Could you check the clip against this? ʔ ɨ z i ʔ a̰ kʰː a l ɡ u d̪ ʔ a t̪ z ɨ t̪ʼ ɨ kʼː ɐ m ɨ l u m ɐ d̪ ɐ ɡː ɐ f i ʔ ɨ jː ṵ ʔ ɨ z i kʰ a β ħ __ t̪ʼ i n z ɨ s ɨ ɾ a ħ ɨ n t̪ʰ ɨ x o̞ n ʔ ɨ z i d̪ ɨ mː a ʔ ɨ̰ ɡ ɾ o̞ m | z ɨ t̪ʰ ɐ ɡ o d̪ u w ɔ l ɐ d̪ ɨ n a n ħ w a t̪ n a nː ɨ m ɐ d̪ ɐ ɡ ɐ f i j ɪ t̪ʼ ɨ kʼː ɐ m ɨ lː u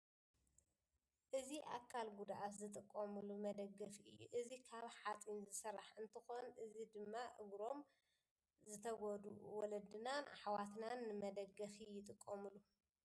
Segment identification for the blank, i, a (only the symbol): a